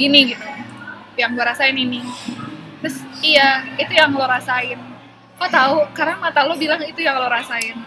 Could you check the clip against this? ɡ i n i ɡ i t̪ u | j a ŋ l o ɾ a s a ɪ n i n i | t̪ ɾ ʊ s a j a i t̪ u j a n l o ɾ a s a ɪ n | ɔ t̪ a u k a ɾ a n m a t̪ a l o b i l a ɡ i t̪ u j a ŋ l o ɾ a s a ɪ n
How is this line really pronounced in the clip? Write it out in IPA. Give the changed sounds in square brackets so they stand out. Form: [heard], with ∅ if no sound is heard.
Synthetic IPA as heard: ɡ i n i ɡ i t̪ u | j a ŋ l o ɾ a s a ɪ n i n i | t̪ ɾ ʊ s [i] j a i t̪ u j a [ŋ] l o ɾ a s a ɪ n | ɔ t̪ a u k a ɾ a [ŋ] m a t̪ a l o b i l a [ŋ] i t̪ u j a ŋ l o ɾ a s a ɪ n